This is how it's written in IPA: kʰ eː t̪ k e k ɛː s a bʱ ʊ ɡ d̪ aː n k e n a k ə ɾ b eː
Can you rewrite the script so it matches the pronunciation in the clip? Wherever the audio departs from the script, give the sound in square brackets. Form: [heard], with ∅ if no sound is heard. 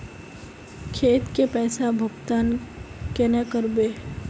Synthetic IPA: kʰ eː t̪ k e [p] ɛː s a bʱ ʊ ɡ [t̪] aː n k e n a k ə ɾ b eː